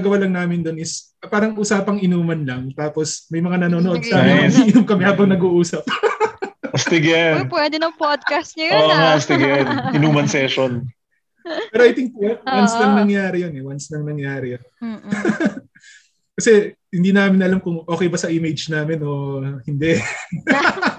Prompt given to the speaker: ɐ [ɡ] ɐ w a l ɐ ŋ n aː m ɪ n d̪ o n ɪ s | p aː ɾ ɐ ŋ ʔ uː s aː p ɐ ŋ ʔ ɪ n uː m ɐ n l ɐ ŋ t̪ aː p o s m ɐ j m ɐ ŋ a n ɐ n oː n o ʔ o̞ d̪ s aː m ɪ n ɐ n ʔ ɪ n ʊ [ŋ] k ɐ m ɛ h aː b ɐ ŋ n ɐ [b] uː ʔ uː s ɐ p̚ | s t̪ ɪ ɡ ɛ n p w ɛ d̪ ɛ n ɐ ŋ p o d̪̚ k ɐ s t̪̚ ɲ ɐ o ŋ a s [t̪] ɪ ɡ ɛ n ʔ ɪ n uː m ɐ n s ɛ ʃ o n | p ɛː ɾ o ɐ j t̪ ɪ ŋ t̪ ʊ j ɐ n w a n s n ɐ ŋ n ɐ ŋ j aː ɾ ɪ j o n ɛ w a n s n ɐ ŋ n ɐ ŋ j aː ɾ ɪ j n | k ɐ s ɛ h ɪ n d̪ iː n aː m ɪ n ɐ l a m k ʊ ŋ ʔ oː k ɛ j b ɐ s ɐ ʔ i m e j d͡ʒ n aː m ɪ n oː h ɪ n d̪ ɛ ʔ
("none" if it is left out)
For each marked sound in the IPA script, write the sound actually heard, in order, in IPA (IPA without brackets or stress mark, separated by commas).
ɡ, m, ɡ, t̪